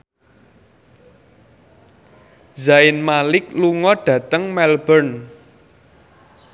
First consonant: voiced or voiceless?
voiced